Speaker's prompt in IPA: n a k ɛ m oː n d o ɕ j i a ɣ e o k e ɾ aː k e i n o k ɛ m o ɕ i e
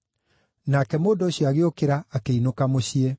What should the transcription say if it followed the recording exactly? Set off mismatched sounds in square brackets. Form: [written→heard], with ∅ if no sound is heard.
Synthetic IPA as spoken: n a k ɛ m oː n d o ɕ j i a ɣ e o k e ɾ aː k e i n o k [ɛ→a] m o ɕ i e